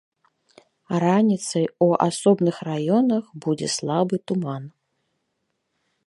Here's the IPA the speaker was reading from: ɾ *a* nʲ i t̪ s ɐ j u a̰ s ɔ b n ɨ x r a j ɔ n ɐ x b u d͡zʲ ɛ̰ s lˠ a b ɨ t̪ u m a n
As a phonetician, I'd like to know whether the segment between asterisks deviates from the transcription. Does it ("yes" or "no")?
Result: no